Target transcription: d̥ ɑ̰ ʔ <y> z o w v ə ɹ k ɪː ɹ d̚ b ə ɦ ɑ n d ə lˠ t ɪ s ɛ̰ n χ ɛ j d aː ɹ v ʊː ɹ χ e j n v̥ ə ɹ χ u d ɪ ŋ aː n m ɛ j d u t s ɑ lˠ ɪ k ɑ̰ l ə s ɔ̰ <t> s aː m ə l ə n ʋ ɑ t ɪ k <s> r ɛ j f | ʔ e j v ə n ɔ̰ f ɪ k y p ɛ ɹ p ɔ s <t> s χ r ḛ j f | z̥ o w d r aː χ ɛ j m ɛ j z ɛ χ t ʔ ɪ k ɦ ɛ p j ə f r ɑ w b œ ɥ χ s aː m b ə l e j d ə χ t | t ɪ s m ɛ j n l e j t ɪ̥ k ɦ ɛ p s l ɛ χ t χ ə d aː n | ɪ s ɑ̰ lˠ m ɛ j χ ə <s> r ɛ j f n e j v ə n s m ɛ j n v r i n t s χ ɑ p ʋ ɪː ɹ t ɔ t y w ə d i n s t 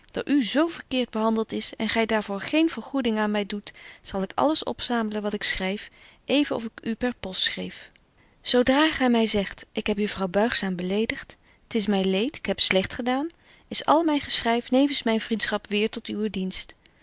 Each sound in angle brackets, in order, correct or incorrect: correct, incorrect: p, correct, correct, correct

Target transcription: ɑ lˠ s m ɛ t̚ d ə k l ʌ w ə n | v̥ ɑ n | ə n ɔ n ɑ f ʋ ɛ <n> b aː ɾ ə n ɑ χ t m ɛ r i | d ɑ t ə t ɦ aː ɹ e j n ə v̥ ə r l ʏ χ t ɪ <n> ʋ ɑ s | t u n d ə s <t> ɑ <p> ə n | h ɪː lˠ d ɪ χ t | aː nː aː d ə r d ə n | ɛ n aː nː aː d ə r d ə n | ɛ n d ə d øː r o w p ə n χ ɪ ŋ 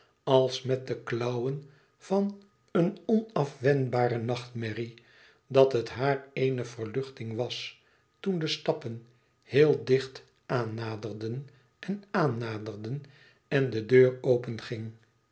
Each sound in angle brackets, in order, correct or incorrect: correct, incorrect: ŋ, correct, correct

